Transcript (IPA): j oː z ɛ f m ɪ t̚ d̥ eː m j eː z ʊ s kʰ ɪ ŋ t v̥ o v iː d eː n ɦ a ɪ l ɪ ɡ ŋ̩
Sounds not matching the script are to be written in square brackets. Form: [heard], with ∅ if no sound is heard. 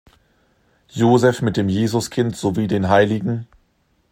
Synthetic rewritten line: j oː z ɛ f m ɪ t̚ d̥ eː m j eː z ʊ s kʰ ɪ [n] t [z̥] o v iː d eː n ɦ a ɪ l ɪ ɡ ŋ̩